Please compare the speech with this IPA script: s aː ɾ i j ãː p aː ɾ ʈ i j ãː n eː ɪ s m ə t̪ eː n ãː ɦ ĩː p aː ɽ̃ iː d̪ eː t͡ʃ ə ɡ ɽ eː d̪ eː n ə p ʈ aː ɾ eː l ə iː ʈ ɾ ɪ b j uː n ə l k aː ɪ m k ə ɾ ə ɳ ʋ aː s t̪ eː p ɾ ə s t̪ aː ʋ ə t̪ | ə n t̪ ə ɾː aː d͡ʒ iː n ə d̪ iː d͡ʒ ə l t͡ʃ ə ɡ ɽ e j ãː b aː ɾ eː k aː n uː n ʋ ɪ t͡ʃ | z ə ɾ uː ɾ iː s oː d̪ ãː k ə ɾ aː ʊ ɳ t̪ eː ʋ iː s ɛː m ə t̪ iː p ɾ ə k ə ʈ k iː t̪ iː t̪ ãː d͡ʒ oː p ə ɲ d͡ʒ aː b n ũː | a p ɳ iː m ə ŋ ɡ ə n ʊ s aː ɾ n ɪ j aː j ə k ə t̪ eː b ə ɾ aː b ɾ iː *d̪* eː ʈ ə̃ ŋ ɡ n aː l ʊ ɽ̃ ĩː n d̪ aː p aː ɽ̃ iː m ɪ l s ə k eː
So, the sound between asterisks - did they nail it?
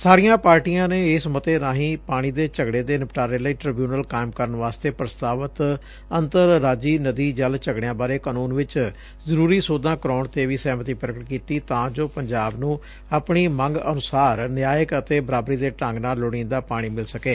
yes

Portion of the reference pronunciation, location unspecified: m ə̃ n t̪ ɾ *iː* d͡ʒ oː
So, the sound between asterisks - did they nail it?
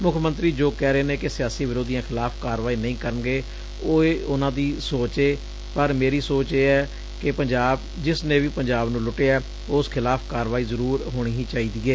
yes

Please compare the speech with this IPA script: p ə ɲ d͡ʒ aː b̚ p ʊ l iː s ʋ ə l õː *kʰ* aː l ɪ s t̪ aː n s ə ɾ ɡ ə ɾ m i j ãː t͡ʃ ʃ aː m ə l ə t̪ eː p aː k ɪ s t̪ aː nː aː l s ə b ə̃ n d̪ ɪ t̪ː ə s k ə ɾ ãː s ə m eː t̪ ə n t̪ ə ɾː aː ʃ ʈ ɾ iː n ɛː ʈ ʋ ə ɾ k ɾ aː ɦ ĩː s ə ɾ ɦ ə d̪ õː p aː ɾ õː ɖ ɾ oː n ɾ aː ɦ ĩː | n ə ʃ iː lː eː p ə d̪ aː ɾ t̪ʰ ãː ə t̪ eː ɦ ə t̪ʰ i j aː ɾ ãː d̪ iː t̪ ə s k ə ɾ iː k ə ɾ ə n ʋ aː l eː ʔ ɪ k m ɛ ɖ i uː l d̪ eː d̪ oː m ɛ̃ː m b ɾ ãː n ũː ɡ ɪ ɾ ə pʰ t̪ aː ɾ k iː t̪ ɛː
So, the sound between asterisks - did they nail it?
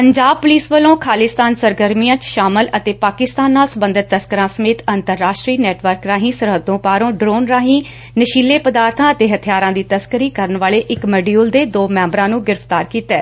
yes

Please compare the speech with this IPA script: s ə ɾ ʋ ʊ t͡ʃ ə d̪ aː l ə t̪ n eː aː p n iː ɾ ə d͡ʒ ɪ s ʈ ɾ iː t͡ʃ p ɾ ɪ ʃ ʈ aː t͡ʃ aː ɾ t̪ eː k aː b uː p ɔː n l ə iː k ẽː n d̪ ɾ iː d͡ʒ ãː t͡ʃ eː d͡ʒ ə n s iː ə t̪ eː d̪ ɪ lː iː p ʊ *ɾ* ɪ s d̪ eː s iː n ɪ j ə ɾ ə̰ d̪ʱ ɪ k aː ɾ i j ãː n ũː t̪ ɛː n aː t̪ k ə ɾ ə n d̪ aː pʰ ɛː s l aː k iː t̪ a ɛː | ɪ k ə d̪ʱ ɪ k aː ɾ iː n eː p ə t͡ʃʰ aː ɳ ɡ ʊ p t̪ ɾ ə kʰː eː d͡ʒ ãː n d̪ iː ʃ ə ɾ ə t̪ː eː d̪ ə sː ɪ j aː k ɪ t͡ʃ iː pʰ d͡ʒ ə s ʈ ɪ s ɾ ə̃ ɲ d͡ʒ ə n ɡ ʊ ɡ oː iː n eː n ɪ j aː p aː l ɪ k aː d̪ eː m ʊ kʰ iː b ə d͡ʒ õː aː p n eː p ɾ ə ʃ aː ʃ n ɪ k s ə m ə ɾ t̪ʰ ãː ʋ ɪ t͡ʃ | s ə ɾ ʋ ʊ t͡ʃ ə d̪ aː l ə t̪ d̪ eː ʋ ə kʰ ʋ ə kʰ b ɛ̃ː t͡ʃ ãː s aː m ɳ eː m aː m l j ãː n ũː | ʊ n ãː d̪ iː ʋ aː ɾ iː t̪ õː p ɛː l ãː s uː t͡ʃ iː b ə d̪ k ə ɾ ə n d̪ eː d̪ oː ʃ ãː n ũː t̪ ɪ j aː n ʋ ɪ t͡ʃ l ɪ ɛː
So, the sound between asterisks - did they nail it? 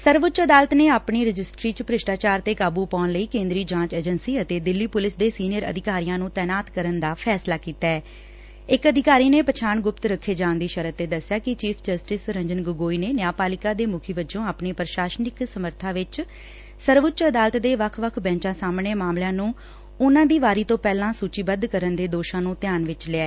no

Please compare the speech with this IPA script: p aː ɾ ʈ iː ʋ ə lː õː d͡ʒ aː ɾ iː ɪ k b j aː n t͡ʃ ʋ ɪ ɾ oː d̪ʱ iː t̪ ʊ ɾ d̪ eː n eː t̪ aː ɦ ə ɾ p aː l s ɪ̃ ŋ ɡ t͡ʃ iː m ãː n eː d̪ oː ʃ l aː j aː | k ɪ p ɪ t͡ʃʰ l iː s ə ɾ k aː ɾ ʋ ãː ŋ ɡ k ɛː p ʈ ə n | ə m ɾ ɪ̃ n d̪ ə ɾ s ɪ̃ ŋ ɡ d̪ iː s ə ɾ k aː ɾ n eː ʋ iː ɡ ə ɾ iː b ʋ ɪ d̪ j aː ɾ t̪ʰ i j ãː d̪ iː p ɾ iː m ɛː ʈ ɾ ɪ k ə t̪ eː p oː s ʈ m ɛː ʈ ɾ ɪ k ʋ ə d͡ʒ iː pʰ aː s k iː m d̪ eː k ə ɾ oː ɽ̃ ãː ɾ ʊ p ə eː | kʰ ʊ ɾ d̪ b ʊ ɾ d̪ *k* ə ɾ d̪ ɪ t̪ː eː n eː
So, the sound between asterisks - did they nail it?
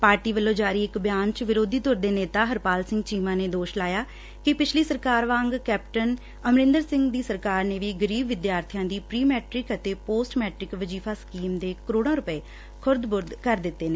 yes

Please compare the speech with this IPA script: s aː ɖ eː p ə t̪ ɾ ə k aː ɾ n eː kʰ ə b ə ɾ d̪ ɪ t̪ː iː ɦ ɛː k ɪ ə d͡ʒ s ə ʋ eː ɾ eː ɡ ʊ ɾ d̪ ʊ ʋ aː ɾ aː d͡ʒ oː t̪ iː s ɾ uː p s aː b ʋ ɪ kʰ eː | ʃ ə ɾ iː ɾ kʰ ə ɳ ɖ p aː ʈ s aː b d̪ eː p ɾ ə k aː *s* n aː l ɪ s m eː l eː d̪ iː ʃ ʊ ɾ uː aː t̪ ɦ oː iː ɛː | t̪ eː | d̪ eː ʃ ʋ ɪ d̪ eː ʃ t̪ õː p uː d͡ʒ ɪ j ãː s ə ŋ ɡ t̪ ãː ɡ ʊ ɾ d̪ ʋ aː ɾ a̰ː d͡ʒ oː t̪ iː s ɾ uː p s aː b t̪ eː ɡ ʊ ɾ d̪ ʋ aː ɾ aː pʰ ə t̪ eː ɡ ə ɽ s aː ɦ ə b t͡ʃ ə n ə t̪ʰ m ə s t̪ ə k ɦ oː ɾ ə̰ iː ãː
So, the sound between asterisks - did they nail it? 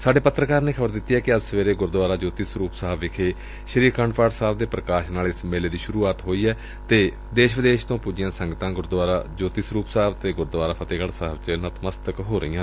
no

